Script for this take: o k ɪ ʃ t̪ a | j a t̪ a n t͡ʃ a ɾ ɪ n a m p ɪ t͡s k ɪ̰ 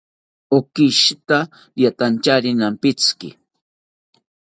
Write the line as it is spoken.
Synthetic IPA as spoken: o k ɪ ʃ t̪ a | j a t̪ a n t͡ʃ a ɾ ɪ n a m p ɪ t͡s k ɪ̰